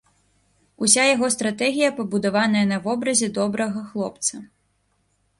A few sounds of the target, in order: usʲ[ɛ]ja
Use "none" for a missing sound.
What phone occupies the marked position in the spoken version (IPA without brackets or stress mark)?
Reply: a